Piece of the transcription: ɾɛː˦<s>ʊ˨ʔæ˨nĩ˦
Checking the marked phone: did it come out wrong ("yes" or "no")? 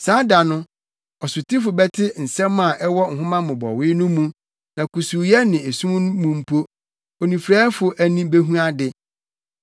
yes